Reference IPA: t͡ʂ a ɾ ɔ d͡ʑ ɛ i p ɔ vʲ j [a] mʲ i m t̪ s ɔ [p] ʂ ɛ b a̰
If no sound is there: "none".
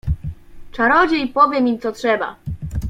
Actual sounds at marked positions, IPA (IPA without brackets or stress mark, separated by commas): ɛ, t